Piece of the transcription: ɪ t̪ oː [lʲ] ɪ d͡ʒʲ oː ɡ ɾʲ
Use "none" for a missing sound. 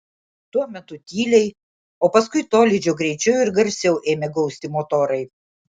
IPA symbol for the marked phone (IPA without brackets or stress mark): lʲ